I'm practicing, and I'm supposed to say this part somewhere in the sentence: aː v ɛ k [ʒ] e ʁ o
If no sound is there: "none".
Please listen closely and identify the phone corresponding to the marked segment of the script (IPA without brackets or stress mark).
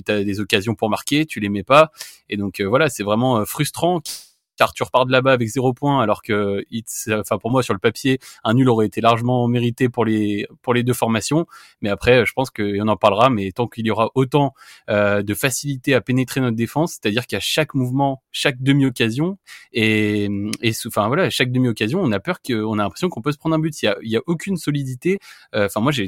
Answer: z